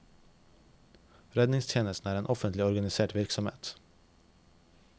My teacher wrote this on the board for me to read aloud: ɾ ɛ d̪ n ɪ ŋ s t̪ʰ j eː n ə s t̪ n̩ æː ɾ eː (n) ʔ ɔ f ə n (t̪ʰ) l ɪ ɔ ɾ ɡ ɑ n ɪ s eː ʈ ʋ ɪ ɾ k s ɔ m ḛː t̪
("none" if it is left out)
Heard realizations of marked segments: n, t̪

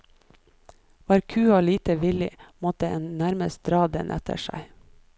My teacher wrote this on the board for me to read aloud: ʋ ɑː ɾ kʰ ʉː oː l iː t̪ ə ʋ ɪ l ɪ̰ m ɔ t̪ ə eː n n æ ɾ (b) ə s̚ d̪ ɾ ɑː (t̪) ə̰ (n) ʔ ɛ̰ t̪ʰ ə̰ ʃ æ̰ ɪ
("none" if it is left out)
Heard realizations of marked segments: m, d̪, n

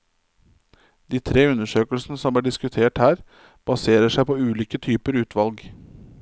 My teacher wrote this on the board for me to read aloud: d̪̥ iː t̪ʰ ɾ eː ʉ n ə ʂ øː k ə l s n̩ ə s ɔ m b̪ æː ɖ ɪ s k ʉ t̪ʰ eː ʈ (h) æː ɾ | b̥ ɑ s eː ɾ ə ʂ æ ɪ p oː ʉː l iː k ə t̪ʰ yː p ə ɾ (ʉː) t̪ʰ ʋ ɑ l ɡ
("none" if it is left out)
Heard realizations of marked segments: h, ʉː

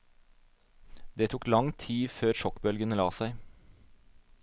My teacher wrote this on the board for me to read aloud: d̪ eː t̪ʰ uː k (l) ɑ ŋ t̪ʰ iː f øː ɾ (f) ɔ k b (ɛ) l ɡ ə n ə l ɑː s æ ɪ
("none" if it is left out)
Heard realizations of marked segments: l, ʃ, œ

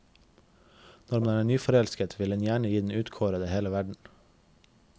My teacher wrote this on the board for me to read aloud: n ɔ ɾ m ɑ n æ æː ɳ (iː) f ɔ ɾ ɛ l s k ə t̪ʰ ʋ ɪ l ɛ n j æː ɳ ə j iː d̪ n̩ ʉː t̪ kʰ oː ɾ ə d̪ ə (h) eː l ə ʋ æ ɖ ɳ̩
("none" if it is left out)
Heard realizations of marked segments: yː, h

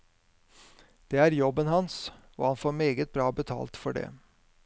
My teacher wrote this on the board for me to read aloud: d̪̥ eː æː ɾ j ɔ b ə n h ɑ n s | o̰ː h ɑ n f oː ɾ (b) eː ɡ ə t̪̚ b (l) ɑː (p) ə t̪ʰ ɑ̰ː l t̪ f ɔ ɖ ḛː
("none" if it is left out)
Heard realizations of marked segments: m, ɾ, b

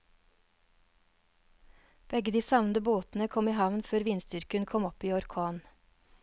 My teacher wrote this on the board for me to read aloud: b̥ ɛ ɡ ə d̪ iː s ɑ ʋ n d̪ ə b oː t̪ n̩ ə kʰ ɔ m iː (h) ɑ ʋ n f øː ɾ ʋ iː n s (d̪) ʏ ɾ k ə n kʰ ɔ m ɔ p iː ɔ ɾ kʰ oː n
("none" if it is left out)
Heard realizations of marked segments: h, t̪

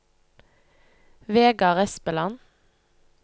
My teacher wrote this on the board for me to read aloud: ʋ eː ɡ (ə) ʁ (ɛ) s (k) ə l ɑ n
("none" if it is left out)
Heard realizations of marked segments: ɑ, ɛ, p

